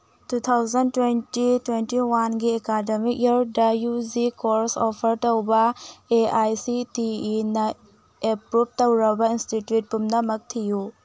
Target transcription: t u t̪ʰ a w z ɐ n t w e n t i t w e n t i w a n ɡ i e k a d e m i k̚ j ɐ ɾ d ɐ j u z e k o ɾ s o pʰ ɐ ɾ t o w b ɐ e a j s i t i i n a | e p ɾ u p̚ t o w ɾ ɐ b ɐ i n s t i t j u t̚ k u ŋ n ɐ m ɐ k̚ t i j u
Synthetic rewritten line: t u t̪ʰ a w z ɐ n t w e n t i t w e n t i w a n ɡ i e k a d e m i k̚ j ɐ ɾ d ɐ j u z i k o ɾ s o pʰ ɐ ɾ t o w b ɐ e a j s i t i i n ɐ | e p ɾ u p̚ t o w ɾ ɐ b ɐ i n s t i t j u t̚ p u m n ɐ m ɐ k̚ tʰ i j u